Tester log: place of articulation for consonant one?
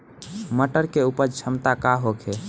labial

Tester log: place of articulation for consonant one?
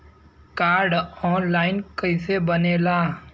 velar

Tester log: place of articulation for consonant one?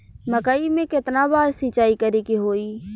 labial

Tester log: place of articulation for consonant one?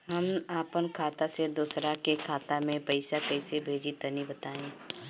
glottal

